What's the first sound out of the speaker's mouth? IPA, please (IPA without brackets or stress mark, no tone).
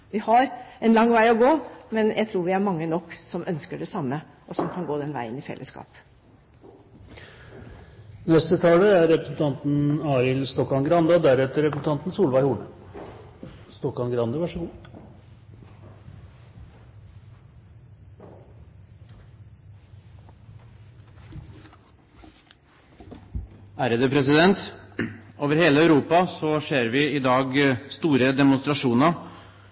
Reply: ʋ